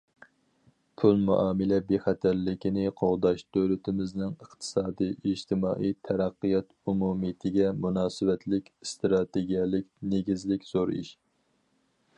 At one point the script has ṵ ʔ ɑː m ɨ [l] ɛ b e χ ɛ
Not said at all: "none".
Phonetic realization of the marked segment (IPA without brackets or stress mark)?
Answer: l